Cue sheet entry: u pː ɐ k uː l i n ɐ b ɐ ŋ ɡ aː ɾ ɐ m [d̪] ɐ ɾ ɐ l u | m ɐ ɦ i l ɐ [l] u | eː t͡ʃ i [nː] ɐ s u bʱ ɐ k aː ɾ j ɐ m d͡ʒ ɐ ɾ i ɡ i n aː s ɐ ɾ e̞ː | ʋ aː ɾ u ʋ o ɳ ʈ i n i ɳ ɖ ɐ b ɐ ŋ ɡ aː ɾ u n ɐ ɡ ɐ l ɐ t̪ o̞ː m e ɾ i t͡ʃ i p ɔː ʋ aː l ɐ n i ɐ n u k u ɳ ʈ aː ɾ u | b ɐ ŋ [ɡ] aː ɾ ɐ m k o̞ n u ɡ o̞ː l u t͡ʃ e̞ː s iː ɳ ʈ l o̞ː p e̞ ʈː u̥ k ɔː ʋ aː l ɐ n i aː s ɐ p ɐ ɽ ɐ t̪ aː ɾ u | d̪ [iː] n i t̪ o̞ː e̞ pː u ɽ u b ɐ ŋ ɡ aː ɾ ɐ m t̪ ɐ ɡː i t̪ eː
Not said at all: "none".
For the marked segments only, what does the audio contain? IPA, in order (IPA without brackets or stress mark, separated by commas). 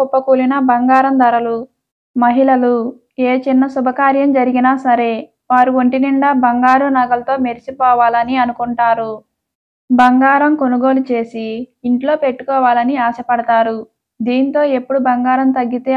d̪, l, nː, ɡ, iː